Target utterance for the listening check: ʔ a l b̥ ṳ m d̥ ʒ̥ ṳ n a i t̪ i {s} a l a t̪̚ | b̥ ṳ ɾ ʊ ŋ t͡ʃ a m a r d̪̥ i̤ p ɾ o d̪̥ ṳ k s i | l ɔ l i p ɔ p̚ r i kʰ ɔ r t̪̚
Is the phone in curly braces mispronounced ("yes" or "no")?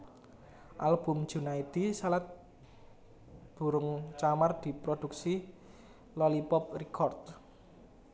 no